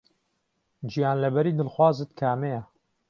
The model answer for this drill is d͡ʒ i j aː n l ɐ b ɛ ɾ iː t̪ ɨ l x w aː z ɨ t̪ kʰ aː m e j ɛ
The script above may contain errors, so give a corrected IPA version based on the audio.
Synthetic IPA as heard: d͡ʒ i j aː n l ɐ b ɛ ɾ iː d̪ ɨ l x w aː z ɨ t̪ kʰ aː m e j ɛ